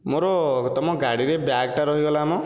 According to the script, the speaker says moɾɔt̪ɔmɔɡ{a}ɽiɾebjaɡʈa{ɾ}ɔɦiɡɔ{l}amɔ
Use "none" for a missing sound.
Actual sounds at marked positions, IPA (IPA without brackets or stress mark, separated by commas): a, ɾ, l